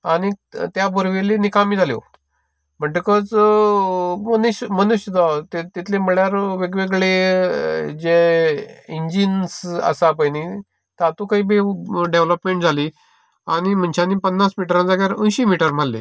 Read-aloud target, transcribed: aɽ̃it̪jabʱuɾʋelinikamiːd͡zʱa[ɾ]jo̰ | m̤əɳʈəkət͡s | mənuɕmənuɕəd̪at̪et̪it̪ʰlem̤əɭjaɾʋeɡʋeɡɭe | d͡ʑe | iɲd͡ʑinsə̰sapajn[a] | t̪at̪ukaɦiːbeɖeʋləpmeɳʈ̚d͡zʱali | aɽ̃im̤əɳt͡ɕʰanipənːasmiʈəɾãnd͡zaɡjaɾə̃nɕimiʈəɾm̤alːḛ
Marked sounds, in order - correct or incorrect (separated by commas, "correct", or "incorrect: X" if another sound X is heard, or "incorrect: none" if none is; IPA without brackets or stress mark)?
incorrect: l, incorrect: i